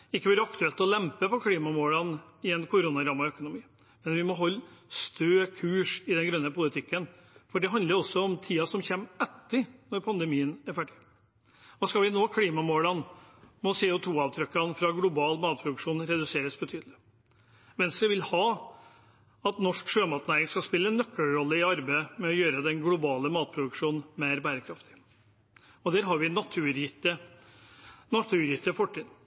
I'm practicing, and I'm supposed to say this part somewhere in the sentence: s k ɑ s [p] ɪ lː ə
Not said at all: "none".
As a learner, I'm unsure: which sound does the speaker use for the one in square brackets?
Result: p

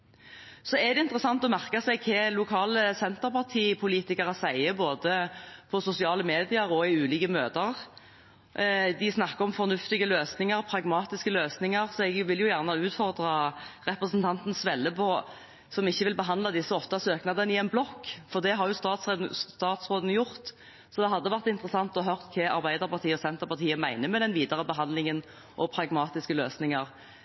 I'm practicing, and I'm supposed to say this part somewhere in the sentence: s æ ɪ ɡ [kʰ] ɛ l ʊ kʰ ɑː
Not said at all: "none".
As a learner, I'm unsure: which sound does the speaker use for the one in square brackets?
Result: kʰ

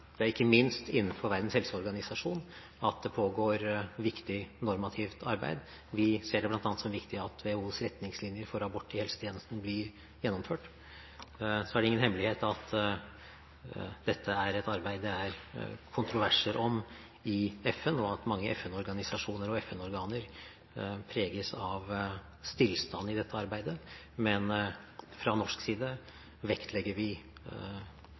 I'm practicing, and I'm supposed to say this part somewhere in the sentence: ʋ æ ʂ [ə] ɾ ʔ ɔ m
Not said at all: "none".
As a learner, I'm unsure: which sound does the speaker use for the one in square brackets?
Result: ə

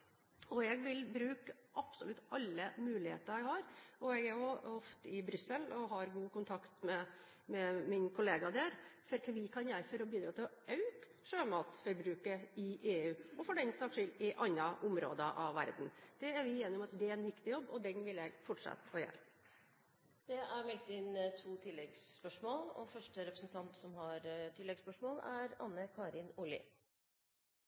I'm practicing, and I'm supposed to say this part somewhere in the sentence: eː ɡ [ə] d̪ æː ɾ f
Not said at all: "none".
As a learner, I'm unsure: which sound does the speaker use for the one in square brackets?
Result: ɑ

